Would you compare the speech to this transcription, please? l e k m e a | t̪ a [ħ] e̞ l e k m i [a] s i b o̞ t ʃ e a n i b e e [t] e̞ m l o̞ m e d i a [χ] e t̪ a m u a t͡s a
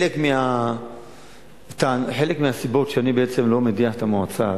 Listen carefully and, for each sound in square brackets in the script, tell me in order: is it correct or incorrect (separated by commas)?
correct, correct, incorrect, incorrect